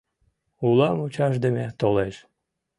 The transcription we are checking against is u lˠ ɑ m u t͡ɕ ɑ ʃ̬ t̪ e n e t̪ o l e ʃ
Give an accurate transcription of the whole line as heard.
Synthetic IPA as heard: u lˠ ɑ m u t͡ɕ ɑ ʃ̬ d̪ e m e t̪ o l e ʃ